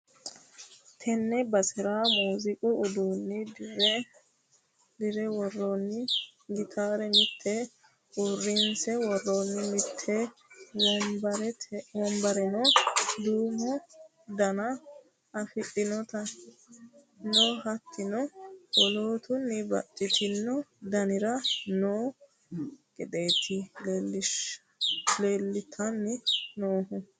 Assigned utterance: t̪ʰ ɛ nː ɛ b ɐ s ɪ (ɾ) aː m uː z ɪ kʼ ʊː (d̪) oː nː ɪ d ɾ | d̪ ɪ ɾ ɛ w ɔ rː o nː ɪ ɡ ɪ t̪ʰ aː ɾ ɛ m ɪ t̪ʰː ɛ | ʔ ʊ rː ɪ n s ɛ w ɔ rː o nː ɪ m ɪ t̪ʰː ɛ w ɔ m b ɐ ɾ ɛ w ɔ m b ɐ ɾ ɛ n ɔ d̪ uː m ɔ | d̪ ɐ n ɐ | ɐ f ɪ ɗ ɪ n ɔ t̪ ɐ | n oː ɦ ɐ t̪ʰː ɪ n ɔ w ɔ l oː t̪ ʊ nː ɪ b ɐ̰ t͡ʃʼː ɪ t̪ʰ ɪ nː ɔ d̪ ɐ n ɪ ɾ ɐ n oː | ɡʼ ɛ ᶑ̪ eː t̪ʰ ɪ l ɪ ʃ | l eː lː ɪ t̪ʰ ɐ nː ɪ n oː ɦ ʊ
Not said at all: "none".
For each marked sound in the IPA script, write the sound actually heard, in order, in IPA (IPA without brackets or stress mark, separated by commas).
ɾ, d̪